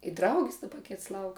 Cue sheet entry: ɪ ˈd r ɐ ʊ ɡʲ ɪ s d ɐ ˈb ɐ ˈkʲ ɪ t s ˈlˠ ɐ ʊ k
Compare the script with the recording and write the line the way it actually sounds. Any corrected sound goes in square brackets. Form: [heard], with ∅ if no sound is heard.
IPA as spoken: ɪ ˈd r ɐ ʊ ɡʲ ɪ s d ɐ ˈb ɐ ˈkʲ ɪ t s ˈlˠ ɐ ʊ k